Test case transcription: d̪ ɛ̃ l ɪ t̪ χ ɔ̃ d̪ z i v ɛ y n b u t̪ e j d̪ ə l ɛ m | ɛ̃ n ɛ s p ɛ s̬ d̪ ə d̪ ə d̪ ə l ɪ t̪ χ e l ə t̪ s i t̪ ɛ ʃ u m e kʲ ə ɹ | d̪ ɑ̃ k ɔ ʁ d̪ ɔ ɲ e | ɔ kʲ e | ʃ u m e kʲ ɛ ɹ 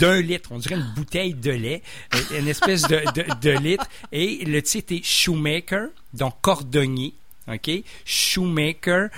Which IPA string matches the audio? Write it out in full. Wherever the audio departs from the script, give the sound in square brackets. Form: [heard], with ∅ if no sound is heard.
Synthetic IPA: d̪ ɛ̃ l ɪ t̪ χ ɔ̃ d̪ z i [ʁ] ɛ y n b u t̪ [ɛ] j d̪ ə l ɛ [∅] | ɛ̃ n ɛ s p ɛ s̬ d̪ ə d̪ ə d̪ ə l ɪ t̪ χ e l ə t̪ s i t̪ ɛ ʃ u m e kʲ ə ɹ | d̪ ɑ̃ k ɔ ʁ d̪ ɔ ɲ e | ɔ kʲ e | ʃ u m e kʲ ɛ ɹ